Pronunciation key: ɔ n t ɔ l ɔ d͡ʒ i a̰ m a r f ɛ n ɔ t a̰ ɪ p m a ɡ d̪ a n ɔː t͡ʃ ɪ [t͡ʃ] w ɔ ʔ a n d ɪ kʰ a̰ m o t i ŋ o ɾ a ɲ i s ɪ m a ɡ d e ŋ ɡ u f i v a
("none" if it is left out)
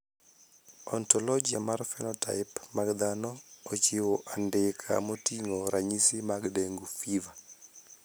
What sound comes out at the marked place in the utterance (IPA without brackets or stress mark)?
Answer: none